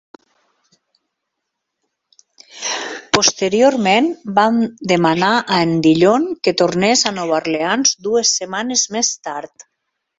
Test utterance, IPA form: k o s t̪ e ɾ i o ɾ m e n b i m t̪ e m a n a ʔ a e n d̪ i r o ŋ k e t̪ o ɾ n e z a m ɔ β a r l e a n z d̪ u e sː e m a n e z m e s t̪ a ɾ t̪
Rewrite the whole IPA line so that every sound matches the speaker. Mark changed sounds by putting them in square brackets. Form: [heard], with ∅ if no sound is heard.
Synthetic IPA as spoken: [p] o s t̪ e ɾ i o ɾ m e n b [a] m [d̪] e m a n a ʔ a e n d̪ i [ʎ] o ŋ k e t̪ o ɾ n e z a [n] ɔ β a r l e a n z d̪ u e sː e m a n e z m e s t̪ a ɾ t̪